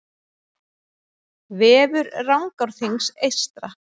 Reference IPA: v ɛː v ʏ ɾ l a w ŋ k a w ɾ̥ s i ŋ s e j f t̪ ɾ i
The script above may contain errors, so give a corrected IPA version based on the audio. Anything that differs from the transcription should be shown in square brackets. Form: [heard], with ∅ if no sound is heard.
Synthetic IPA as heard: v ɛː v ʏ ɾ [r] a w ŋ k a w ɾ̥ [θ] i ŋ s e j [s] t̪ ɾ [a]